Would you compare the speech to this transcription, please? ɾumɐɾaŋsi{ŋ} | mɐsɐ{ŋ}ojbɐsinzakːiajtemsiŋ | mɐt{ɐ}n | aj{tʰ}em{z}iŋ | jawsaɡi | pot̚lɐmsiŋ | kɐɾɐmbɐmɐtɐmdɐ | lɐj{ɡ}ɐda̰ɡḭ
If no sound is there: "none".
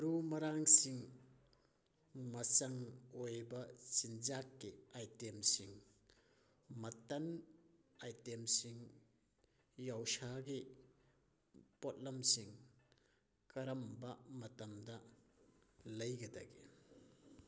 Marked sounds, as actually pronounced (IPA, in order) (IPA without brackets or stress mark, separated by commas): ŋ, ŋ, ɐ, t, s, ɡ